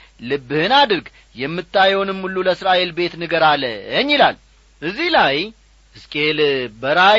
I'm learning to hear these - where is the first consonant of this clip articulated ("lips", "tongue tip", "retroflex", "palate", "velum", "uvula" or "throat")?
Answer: tongue tip